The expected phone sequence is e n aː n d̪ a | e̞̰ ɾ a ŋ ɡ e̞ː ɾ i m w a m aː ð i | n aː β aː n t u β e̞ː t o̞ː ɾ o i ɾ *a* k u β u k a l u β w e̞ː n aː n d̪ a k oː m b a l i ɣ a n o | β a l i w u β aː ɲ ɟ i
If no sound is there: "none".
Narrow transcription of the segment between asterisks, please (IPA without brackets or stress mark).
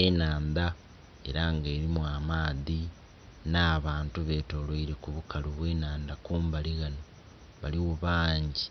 e